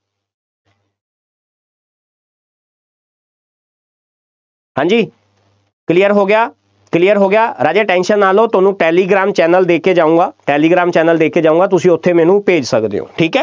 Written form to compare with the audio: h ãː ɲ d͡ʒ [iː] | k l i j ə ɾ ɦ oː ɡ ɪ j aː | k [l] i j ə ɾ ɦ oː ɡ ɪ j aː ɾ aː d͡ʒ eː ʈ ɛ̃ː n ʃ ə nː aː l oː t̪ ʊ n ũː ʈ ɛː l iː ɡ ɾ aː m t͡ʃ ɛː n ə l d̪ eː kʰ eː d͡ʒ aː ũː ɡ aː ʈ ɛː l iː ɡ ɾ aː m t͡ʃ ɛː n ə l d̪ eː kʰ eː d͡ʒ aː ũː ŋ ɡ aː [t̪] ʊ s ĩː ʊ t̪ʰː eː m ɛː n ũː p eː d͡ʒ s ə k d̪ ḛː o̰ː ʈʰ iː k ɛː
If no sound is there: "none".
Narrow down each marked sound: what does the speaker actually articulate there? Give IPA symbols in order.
iː, l, t̪

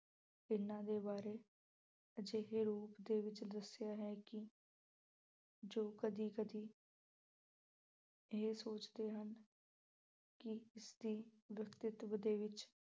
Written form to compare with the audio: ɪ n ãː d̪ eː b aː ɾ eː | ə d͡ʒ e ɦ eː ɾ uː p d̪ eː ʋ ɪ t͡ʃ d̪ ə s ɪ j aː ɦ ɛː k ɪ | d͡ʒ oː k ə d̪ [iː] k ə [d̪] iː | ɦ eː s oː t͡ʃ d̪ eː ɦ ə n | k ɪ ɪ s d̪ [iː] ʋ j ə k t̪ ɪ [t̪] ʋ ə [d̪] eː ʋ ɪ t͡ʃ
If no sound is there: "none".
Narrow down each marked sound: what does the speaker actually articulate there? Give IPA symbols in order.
iː, d̪, iː, t̪, d̪

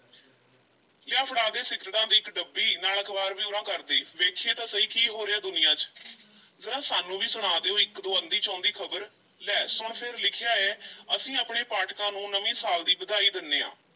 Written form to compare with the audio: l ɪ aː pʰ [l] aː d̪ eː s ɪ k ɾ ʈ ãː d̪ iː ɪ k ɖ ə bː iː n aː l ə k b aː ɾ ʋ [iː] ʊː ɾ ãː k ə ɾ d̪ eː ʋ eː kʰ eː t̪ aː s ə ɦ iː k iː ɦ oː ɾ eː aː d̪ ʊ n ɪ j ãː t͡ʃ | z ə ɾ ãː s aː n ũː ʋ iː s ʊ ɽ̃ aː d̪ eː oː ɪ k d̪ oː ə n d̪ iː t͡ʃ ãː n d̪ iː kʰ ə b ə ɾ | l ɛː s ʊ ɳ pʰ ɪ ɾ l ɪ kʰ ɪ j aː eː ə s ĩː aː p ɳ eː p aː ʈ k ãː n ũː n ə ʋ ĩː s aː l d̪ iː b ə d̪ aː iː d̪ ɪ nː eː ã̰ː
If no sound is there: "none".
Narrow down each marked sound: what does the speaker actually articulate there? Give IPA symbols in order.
ɽ, iː

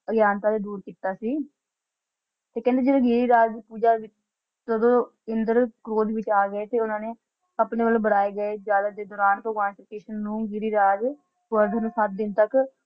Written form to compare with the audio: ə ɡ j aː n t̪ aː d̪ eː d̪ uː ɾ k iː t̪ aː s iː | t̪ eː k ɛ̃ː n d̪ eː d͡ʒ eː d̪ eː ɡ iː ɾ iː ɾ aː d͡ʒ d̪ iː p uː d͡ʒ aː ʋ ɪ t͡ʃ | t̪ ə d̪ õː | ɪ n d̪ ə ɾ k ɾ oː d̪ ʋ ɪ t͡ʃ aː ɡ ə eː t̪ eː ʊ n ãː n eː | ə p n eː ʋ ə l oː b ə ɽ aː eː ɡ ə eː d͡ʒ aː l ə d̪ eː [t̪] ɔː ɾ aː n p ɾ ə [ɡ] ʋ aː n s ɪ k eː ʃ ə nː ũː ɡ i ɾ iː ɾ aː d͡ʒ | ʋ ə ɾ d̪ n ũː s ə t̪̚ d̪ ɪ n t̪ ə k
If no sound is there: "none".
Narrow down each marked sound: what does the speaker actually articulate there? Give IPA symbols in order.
d̪, ɡ

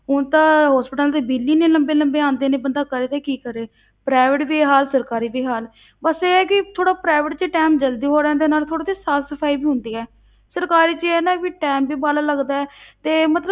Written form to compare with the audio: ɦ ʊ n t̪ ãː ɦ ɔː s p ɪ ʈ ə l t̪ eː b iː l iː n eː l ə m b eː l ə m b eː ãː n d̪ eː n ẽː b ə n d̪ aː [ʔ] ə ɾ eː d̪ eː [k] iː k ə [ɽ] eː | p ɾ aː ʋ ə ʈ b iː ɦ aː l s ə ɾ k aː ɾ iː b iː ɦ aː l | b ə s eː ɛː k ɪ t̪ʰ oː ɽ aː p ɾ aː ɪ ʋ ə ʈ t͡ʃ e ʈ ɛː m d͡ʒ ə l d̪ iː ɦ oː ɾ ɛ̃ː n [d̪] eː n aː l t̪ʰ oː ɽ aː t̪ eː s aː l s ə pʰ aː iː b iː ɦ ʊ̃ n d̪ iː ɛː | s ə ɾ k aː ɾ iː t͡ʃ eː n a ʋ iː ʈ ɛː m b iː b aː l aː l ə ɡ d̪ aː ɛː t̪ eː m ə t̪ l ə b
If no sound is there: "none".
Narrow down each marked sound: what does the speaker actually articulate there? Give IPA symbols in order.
k, k, ɾ, d̪

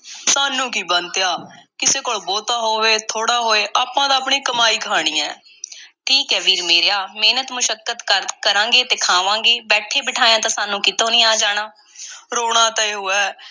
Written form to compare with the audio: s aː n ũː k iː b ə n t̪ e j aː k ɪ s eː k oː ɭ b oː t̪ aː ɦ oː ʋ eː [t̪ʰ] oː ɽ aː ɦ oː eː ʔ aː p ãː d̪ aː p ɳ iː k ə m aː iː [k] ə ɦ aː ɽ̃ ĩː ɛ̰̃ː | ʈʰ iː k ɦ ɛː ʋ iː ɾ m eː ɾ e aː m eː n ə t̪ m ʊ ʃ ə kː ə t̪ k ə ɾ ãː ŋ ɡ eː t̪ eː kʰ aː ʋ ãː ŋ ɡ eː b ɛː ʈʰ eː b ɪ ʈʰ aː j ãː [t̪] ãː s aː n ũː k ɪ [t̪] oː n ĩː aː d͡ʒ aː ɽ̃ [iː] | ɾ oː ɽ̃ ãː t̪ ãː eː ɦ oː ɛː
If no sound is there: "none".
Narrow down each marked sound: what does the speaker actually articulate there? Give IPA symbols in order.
t̪ʰ, k, t̪, t̪, aː

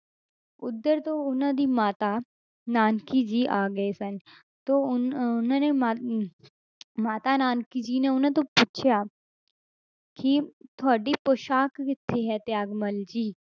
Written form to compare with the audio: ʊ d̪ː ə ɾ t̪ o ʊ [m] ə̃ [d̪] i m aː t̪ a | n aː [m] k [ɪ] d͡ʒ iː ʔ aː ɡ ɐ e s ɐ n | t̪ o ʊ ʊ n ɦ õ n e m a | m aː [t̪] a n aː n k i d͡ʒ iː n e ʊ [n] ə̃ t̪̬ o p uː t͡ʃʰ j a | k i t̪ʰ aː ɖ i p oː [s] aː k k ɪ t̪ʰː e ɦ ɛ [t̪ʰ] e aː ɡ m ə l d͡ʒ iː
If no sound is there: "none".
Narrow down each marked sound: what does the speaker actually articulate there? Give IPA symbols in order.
n, d̪, n, i, t̪, n, ʃ, t̪

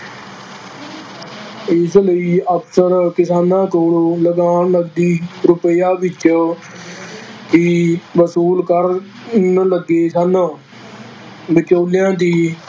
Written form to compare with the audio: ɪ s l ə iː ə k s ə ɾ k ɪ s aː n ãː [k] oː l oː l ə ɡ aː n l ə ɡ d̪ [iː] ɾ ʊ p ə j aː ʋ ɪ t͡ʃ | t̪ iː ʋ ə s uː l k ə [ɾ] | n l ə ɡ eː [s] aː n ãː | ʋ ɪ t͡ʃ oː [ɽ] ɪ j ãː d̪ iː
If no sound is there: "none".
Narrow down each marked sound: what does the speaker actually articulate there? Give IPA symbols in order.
k, iː, ɾ, s, l

